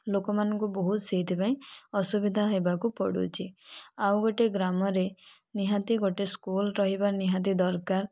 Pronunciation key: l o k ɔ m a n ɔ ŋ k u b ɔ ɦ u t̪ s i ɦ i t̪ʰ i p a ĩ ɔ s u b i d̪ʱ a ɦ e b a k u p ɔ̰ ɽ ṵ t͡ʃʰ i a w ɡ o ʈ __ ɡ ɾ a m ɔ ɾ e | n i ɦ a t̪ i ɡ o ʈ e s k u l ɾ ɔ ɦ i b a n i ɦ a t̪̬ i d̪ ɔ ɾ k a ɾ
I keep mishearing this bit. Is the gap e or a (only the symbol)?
e